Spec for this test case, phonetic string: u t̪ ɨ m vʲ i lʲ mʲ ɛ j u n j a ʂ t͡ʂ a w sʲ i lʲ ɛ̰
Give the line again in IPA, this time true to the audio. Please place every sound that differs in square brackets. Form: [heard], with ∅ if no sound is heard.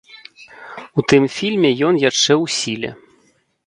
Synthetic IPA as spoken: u t̪ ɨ m [fʲ] i lʲ mʲ ɛ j [ɔ] n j a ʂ t͡ʂ [ɛ] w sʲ i lʲ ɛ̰